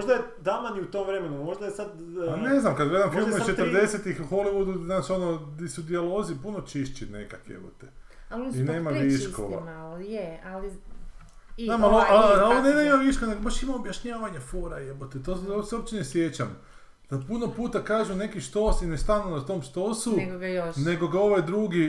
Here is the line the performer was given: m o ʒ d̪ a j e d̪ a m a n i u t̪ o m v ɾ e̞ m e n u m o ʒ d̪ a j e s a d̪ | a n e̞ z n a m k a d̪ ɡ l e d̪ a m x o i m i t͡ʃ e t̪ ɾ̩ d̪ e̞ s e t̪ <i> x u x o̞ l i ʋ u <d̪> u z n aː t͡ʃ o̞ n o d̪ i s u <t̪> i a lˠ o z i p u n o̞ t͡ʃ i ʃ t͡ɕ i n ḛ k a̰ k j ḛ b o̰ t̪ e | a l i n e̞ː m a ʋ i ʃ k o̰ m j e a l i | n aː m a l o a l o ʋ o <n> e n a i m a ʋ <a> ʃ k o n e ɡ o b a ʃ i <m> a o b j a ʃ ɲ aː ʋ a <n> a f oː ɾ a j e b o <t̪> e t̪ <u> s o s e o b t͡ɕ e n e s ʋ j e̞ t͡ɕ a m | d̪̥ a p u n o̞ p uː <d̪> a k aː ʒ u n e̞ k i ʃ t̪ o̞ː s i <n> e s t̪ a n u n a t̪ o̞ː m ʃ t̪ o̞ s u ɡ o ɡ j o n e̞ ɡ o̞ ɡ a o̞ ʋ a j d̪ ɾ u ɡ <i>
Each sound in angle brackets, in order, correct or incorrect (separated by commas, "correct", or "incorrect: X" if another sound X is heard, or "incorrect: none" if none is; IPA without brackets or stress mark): correct, correct, incorrect: d̪, correct, incorrect: i, correct, incorrect: ɲ, correct, incorrect: o, incorrect: t̪, correct, correct